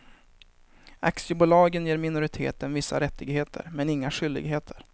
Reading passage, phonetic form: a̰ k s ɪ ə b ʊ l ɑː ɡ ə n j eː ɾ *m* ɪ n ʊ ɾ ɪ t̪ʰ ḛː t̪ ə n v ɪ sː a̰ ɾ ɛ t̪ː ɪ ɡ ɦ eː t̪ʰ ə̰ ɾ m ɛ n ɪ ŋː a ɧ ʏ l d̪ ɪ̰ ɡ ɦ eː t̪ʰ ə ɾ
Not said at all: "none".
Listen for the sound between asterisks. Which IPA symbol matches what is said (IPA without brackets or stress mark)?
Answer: m